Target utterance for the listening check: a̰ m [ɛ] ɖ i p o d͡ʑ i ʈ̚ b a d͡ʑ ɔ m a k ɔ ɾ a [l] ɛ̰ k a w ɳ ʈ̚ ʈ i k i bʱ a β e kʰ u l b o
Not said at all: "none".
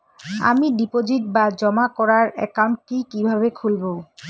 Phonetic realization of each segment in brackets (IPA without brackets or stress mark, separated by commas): i, ɾ